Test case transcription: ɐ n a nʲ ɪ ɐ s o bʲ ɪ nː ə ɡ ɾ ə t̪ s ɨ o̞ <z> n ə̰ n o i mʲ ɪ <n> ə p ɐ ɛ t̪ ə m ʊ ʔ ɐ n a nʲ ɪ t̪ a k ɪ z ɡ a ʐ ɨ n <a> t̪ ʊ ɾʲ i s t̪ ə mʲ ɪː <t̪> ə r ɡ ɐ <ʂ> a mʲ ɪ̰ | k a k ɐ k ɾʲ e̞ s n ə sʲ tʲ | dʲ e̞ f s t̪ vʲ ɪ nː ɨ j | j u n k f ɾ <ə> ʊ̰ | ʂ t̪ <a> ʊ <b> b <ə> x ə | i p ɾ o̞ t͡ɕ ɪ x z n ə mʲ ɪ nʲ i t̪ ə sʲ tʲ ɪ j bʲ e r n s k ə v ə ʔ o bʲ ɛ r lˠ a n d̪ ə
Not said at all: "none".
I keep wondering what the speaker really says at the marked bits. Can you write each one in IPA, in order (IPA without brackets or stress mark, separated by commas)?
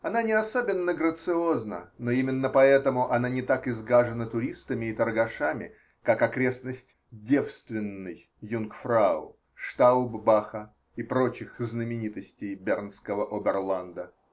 z, nː, ə, t̪, ʂ, a, a, b, a